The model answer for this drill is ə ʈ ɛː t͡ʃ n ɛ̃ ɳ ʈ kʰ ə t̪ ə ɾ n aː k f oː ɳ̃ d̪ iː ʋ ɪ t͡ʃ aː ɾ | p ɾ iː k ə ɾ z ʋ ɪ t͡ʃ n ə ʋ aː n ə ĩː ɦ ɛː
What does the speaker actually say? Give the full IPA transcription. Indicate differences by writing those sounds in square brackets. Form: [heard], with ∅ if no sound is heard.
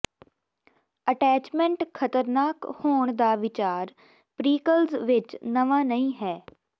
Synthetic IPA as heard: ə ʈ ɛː t͡ʃ [m] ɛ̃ ɳ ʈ kʰ ə t̪ ə ɾ n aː k [h] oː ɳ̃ d̪ [aː] ʋ ɪ t͡ʃ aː ɾ | p ɾ iː k ə [l] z ʋ ɪ t͡ʃ n ə ʋ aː n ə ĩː ɦ ɛː